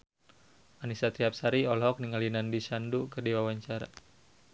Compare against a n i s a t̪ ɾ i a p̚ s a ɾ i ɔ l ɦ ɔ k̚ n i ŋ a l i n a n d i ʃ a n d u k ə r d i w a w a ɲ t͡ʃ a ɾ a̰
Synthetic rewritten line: a n i s a t̪ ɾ i a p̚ s a ɾ i ɔ l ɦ ɔ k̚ n i ŋ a l i n a n d i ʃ a n d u k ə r d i w a w a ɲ t͡ʃ a ɾ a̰